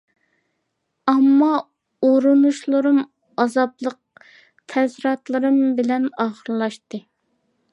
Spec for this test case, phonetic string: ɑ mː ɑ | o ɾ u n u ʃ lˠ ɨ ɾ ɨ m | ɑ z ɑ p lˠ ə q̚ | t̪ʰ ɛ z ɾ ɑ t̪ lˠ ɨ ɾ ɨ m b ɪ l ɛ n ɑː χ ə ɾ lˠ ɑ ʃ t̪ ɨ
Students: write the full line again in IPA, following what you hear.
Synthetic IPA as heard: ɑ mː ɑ | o ɾ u n u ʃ lˠ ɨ ɾ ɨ m | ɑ z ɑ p lˠ ə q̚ | t̪ʰ ɛ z ɾ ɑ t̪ lˠ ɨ ɾ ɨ m b ɪ l ɛ n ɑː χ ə ɾ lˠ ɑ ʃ t̪ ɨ

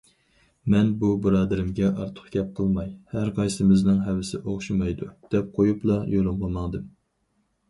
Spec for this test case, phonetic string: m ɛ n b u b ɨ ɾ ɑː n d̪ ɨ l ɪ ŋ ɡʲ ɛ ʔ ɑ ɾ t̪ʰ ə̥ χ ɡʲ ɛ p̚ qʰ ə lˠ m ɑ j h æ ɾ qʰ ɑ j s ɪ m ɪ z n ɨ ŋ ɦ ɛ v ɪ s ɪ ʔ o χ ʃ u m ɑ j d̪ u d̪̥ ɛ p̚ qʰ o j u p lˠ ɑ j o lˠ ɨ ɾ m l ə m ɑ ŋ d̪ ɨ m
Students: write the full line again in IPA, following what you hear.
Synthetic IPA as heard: m ɛ n b u b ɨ ɾ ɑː d̪ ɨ ɾ ɪ m ɡʲ ɛ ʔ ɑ ɾ t̪ʰ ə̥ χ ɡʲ ɛ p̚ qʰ ə lˠ m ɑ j h æ ɾ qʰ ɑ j s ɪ m ɪ z n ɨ ŋ ɦ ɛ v ɪ s ɪ ʔ o χ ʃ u m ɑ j d̪ u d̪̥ ɛ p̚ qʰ o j u p lˠ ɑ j o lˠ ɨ m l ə m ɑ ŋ d̪ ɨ m

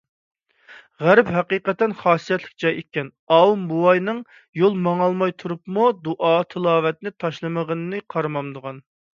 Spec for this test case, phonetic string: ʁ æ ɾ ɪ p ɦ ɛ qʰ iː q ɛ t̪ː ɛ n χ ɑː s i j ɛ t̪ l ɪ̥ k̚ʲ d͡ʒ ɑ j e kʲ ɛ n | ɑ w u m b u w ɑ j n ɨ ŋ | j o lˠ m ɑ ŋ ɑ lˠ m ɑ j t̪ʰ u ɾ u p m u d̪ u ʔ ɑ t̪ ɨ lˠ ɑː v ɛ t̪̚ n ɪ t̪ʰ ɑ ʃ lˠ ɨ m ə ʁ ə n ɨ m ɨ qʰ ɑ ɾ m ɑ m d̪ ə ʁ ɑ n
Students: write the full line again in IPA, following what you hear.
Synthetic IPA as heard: ʁ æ ɾ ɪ p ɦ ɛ q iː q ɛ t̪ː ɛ n χ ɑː s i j ɛ t̪ l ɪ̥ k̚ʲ d͡ʒ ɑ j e kʲ ɛ n | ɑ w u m b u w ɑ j n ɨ ŋ | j o lˠ m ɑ ŋ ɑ lˠ m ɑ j t̪ʰ u ɾ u p m u d̪ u ʔ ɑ t̪ʰ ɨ lˠ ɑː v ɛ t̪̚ n ɪ t̪ʰ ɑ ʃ lˠ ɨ m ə ʁ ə n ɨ n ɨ qʰ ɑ ɾ m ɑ m d̪ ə ʁ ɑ n

